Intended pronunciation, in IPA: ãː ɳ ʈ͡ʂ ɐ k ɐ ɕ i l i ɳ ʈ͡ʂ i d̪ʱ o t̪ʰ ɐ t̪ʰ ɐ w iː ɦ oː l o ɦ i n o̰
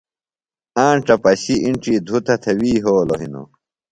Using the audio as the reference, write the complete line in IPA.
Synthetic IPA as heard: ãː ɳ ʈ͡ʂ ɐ p ɐ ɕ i i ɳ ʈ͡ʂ i d̪ʱ u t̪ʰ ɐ t̪ʰ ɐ w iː ɦ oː l o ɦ i n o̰